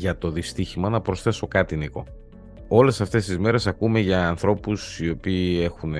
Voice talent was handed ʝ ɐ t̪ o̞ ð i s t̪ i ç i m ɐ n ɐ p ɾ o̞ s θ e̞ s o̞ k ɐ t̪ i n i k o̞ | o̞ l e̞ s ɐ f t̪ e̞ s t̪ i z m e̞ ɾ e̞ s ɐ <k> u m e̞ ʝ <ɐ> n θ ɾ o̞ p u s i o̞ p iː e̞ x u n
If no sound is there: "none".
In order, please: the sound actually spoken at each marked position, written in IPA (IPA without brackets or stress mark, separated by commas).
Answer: k, ɐː